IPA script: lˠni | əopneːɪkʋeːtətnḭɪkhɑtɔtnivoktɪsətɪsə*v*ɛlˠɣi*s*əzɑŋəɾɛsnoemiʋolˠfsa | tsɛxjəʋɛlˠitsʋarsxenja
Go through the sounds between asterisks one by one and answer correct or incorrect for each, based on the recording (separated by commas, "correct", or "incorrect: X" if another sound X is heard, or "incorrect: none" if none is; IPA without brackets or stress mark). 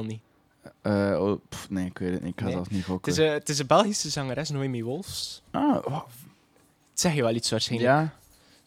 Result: incorrect: b, correct